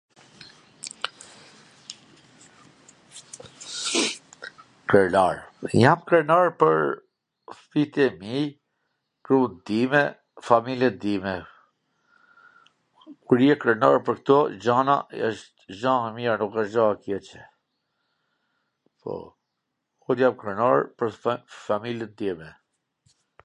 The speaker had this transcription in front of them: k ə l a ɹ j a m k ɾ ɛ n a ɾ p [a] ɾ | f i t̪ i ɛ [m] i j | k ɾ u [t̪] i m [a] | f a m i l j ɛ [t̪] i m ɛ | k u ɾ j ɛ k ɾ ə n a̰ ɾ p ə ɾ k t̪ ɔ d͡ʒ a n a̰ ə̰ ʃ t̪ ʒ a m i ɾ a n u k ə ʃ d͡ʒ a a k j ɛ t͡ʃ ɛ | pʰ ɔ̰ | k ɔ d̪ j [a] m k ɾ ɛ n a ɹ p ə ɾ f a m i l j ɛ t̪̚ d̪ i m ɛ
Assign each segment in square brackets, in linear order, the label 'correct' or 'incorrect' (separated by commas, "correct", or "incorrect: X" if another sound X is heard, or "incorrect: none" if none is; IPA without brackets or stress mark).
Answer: incorrect: ə, correct, incorrect: d̪, incorrect: ɛ, incorrect: d̪, correct